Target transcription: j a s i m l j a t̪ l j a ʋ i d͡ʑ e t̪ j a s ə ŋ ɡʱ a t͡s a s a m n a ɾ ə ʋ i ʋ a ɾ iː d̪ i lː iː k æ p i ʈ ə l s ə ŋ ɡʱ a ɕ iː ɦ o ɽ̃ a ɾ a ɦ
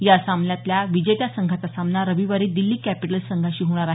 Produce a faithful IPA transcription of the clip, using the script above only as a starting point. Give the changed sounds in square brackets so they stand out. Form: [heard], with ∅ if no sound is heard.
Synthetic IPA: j a s [a] m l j a t̪ l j a ʋ i d͡ʑ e t̪ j a s ə ŋ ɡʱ a t͡s a s a m n a ɾ ə ʋ i ʋ a ɾ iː d̪ i lː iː k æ p i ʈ ə l s ə ŋ ɡʱ a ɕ iː ɦ o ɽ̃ a ɾ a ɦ